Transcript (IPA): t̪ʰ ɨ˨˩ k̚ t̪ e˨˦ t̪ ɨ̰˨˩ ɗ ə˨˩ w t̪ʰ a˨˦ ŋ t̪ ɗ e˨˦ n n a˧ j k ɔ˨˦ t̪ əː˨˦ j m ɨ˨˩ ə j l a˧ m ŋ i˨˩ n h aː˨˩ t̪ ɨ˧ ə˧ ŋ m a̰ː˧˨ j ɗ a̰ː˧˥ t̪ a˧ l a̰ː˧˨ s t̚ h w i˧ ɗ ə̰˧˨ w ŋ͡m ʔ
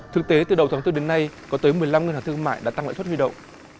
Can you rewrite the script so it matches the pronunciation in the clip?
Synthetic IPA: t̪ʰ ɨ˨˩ k̚ t̪ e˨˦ t̪ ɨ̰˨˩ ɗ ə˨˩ w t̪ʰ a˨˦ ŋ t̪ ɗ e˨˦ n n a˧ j k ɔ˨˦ t̪ əː˨˦ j m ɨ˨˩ ə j l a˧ m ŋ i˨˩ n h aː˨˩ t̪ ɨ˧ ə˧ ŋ m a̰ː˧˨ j ɗ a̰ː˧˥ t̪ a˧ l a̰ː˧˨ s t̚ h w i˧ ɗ ə̰˧˨ w ŋ͡m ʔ